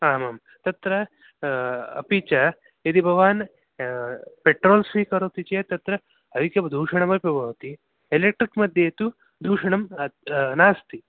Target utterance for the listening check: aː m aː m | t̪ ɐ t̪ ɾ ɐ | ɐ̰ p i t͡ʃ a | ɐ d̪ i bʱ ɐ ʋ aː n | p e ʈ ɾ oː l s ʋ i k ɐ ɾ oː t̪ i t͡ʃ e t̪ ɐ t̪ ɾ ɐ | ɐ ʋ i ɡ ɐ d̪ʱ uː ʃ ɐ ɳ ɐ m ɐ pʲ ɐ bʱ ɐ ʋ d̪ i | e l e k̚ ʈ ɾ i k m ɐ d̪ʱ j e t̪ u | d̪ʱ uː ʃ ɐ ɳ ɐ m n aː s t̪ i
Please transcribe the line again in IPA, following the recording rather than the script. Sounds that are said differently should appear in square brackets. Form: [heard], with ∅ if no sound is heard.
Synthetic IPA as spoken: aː m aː m | t̪ ɐ t̪ ɾ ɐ | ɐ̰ p i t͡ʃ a | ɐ d̪ i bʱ ɐ ʋ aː n | p e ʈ ɾ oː l s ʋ i k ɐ ɾ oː t̪ i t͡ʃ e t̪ ɐ t̪ ɾ ɐ | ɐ ʋ i [k] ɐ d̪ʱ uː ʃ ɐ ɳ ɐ m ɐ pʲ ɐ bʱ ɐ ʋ [t̪] i | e l e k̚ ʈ ɾ i k m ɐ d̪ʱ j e t̪ u | d̪ʱ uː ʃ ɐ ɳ ɐ m n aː s t̪ i

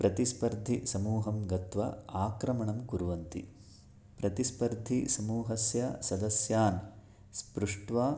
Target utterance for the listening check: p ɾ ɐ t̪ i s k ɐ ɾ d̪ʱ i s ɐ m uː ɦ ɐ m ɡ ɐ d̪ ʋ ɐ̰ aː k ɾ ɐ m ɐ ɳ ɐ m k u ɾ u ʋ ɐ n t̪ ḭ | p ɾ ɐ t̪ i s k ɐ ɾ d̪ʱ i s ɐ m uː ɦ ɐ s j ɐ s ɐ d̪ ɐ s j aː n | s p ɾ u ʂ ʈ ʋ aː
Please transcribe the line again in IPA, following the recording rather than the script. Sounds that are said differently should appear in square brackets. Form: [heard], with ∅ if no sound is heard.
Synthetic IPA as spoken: p ɾ ɐ t̪ i s [p] ɐ ɾ d̪ʱ i s ɐ m uː ɦ ɐ m ɡ ɐ [t̪] ʋ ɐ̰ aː k ɾ ɐ m ɐ ɳ ɐ m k u ɾ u ʋ ɐ n t̪ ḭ | p ɾ ɐ t̪ i s [p] ɐ ɾ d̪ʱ i s ɐ m uː ɦ ɐ s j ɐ s ɐ d̪ ɐ s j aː n | s p ɾ u ʂ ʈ ʋ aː

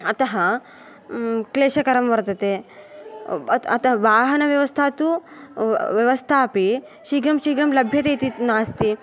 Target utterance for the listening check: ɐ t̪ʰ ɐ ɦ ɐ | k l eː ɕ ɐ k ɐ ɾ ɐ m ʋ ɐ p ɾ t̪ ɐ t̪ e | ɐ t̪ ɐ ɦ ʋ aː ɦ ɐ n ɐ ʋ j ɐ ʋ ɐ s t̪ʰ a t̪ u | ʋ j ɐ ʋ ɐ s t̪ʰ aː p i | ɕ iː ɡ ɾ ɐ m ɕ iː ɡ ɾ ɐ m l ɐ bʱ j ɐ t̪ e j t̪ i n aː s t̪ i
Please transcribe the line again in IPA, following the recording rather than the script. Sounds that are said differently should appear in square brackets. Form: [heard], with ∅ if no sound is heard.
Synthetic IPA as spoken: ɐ [t̪] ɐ ɦ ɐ | k l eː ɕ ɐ k ɐ ɾ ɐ m ʋ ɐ [∅] ɾ t̪ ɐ t̪ e | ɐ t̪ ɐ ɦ ʋ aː ɦ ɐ n ɐ ʋ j ɐ ʋ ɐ s t̪ʰ a t̪ u | ʋ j ɐ ʋ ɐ s t̪ʰ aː p i | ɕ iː ɡ ɾ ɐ m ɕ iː ɡ ɾ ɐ m l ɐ bʱ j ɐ t̪ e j t̪ i n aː s t̪ i

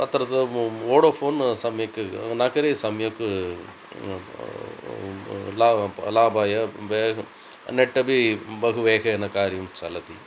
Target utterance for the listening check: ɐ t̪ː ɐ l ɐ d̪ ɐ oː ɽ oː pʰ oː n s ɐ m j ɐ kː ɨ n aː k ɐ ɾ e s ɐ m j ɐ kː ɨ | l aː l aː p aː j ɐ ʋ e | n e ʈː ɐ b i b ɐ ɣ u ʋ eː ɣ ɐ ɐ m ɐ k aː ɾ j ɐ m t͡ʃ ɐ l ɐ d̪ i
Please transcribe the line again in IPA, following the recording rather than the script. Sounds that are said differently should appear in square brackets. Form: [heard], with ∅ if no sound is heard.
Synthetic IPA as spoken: ɐ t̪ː ɐ [ɾ] ɐ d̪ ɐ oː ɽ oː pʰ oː n s ɐ m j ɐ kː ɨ n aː k ɐ ɾ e s ɐ m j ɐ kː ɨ | l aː l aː [b] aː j ɐ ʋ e | n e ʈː ɐ b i b ɐ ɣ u ʋ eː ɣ ɐ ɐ [n] ɐ k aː ɾ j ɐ m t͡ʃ ɐ l ɐ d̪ i

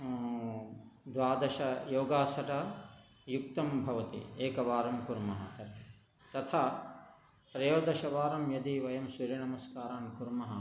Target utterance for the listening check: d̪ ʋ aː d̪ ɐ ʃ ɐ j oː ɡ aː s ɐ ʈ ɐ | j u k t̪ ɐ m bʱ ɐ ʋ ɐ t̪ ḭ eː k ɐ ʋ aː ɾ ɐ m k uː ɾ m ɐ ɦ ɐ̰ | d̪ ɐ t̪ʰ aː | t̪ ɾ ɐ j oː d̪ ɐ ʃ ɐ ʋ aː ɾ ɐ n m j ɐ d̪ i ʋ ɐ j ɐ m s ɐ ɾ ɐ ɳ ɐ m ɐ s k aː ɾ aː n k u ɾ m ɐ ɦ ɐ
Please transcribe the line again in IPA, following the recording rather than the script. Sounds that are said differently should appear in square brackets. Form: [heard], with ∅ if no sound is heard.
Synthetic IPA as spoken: d̪ ʋ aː d̪ ɐ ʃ ɐ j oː ɡ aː s ɐ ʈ ɐ | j u k t̪ ɐ m bʱ ɐ ʋ ɐ t̪ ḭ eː k ɐ ʋ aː ɾ ɐ m k [u] ɾ m ɐ ɦ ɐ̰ | [t̪] ɐ t̪ʰ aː | t̪ ɾ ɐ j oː d̪ ɐ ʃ ɐ ʋ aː ɾ ɐ [∅] m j ɐ d̪ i ʋ ɐ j ɐ m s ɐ ɾ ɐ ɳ ɐ m ɐ s k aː ɾ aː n k u ɾ m ɐ ɦ ɐ

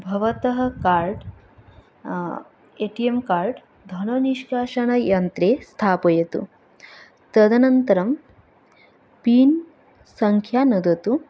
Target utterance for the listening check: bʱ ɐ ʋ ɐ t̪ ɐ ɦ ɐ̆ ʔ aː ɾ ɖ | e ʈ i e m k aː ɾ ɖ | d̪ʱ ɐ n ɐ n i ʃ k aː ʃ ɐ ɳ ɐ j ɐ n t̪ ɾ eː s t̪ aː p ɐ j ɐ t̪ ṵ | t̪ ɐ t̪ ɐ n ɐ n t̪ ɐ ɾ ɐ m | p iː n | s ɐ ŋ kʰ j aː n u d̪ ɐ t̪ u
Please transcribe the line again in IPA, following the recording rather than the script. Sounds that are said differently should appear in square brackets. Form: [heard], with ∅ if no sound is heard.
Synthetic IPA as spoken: bʱ ɐ ʋ ɐ t̪ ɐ ɦ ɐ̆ [k] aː ɾ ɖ | e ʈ i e m k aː ɾ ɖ | d̪ʱ ɐ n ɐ n i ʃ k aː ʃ ɐ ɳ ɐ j ɐ n t̪ ɾ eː s [t̪ʰ] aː p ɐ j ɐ t̪ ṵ | t̪ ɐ [d̪] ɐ n ɐ n t̪ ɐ ɾ ɐ m | p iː n | s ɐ ŋ kʰ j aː n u d̪ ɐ t̪ u

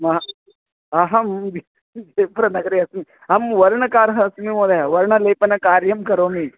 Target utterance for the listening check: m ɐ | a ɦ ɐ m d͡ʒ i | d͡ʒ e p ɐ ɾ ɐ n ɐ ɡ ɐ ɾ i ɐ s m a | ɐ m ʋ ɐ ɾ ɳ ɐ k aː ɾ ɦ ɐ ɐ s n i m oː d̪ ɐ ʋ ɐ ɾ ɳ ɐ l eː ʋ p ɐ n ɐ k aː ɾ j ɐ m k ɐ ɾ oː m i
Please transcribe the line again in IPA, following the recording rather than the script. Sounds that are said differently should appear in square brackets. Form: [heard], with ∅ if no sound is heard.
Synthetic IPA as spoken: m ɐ | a ɦ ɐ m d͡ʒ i | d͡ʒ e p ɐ ɾ ɐ n ɐ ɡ ɐ ɾ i ɐ s m [i] | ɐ m ʋ ɐ ɾ ɳ ɐ k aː ɾ ɦ ɐ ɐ s [m] i m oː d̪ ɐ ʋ ɐ ɾ ɳ ɐ l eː [∅] p ɐ n ɐ k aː ɾ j ɐ m k ɐ ɾ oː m i

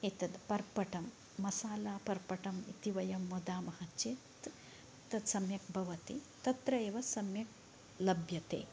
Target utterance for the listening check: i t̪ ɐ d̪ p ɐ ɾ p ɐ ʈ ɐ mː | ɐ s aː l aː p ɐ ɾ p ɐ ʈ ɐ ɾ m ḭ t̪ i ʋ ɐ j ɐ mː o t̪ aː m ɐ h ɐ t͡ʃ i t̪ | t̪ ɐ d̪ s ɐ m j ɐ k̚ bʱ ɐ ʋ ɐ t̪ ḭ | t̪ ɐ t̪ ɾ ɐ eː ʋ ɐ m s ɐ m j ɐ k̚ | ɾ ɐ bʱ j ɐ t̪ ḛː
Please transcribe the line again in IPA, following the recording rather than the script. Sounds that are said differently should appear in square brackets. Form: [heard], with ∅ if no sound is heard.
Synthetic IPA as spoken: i t̪ ɐ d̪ p ɐ ɾ p ɐ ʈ ɐ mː | ɐ s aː l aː p ɐ ɾ p ɐ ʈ ɐ [∅] m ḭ t̪ i ʋ ɐ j ɐ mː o [d̪] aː m ɐ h ɐ t͡ʃ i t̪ | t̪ ɐ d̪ s ɐ m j ɐ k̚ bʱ ɐ ʋ ɐ t̪ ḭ | t̪ ɐ t̪ ɾ ɐ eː ʋ ɐ [∅] s ɐ m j ɐ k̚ | [l] ɐ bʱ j ɐ t̪ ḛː

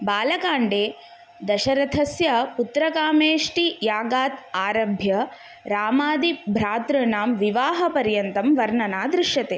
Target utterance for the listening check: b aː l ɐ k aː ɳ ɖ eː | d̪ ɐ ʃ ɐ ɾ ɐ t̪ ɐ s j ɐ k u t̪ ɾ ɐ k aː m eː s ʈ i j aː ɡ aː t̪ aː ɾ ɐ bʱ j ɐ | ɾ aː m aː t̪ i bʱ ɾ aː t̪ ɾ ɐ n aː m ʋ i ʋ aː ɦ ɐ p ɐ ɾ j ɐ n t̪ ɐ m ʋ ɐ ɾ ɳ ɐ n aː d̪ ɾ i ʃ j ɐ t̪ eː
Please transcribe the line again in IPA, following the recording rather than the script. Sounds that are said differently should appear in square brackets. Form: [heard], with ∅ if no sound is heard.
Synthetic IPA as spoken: b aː l ɐ k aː ɳ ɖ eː | d̪ ɐ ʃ ɐ ɾ ɐ [t̪ʰ] ɐ s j ɐ [p] u t̪ ɾ ɐ k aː m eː [ʂ] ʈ i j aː ɡ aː t̪ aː ɾ ɐ bʱ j ɐ | ɾ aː m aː [d̪] i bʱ ɾ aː t̪ ɾ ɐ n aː m ʋ i ʋ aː ɦ ɐ p ɐ ɾ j ɐ n t̪ ɐ m ʋ ɐ ɾ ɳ ɐ n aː d̪ ɾ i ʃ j ɐ t̪ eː

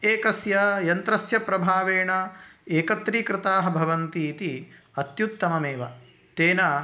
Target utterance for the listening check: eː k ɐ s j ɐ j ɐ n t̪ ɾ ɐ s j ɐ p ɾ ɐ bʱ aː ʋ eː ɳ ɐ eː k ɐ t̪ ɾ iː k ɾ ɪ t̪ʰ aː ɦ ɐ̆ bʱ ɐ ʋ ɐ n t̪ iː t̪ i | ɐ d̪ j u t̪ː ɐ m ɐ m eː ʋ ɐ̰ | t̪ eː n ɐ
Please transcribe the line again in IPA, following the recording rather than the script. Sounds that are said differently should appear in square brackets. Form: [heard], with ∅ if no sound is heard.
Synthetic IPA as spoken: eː k ɐ s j ɐ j ɐ n t̪ ɾ ɐ s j ɐ p ɾ ɐ bʱ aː ʋ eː ɳ ɐ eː k ɐ t̪ ɾ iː k ɾ ɪ [t̪] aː ɦ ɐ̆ bʱ ɐ ʋ ɐ n t̪ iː t̪ i | ɐ [t̪] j u t̪ː ɐ m ɐ m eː ʋ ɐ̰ | t̪ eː n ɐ

